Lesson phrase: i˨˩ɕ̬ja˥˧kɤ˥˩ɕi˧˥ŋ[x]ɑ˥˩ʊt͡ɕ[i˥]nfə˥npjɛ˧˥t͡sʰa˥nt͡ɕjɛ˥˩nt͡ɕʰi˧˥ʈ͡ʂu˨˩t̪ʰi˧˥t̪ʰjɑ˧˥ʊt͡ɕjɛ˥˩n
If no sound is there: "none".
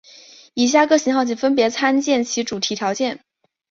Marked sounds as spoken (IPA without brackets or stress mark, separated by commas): x, i˨˩